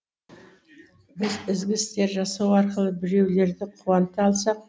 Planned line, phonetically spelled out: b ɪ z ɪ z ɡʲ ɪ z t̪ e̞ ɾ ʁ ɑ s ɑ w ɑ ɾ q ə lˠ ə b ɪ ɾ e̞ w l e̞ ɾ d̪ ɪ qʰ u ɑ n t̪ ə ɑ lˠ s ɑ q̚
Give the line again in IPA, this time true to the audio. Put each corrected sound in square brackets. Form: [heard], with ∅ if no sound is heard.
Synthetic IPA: b ɪ z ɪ z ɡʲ ɪ [s] t̪ e̞ ɾ [ʒ] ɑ s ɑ w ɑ ɾ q ə lˠ ə b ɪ ɾ e̞ w l e̞ ɾ d̪ ɪ qʰ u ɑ n t̪ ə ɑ lˠ s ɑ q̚

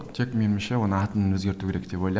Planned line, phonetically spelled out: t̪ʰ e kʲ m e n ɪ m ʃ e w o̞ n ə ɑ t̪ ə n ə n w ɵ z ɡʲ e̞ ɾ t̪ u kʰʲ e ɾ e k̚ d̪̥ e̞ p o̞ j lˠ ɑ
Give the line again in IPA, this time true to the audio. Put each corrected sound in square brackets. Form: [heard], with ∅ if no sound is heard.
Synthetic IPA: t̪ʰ e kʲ m e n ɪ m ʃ e w o̞ n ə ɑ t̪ ə n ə n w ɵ z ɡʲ e̞ ɾ t̪ u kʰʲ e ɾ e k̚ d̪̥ e̞ p o̞ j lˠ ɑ

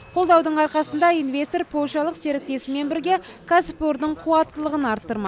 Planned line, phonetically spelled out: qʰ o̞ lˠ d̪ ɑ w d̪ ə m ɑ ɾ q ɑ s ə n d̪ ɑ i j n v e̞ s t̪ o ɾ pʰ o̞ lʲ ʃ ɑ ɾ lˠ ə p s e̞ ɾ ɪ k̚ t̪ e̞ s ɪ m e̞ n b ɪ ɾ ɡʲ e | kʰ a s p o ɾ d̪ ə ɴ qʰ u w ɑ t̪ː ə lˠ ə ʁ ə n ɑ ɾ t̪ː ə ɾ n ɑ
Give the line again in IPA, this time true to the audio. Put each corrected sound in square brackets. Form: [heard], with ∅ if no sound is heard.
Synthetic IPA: qʰ o̞ lˠ d̪ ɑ w d̪ ə [ɴ] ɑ ɾ q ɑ s ə n d̪ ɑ i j n v e̞ s t̪ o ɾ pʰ o̞ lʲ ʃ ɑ [∅] lˠ ə [q] s e̞ ɾ ɪ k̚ t̪ e̞ s ɪ m e̞ n b ɪ ɾ ɡʲ e | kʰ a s p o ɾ d̪ ə ɴ qʰ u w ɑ t̪ː ə lˠ ə ʁ ə n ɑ ɾ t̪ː ə ɾ [m] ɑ

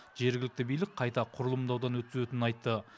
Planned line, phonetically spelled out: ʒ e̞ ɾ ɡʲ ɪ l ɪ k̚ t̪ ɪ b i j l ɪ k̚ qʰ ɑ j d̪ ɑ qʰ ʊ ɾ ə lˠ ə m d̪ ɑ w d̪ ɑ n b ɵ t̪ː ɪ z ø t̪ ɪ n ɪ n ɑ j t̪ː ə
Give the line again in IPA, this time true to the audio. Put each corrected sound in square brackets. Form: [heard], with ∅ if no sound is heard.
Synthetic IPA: ʒ e̞ ɾ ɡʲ ɪ l ɪ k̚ t̪ ɪ b i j l ɪ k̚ qʰ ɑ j [t̪] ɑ qʰ ʊ ɾ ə lˠ ə m d̪ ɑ w d̪ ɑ n [w] ɵ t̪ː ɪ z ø t̪ ɪ n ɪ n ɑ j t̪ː ə

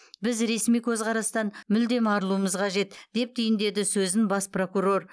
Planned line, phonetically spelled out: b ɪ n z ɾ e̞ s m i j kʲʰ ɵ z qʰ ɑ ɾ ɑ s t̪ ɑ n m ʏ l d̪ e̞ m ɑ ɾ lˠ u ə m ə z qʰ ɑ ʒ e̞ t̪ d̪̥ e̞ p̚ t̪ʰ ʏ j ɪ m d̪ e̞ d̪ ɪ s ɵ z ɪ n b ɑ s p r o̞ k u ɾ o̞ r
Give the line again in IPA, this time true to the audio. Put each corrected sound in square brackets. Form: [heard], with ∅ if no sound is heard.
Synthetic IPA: b ɪ [∅] z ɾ e̞ s m i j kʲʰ ɵ z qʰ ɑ ɾ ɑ s t̪ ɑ n m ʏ l d̪ e̞ m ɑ ɾ lˠ u ə m ə z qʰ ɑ ʒ e̞ t̪ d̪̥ e̞ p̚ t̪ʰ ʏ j ɪ [n] d̪ e̞ d̪ ɪ s ɵ z ɪ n b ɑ s p r o̞ k u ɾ o̞ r

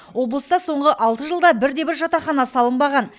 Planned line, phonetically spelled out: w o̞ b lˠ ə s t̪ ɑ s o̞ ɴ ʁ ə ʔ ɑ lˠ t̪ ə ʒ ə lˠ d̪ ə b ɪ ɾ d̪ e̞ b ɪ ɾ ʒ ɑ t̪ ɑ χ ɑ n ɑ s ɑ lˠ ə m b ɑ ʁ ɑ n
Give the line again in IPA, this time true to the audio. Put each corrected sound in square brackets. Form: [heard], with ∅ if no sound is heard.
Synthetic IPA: w o̞ b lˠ ə s t̪ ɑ s o̞ ɴ ʁ ə ʔ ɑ lˠ t̪ ə ʒ ə lˠ d̪ [ɑ] b ɪ ɾ d̪ e̞ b ɪ ɾ ʒ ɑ t̪ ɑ χ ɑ n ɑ s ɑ lˠ ə m b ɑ ʁ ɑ n

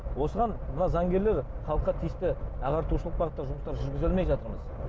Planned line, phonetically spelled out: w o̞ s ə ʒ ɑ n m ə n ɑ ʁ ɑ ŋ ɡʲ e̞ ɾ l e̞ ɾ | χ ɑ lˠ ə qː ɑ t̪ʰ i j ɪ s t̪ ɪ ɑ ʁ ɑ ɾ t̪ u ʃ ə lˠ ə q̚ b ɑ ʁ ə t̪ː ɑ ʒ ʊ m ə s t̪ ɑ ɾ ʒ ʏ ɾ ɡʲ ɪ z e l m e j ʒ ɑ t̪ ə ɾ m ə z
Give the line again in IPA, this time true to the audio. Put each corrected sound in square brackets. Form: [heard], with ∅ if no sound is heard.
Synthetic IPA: w o̞ s ə [ʁ] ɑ n m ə n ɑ [z] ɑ ŋ ɡʲ e̞ ɾ l e̞ ɾ | χ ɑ lˠ ə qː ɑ t̪ʰ i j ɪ s t̪ ɪ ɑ ʁ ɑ ɾ t̪ u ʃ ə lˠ ə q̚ b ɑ ʁ ə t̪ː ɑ ʒ ʊ m ə s t̪ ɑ ɾ ʒ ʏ ɾ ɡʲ ɪ z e l m e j ʒ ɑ t̪ ə ɾ m ə z

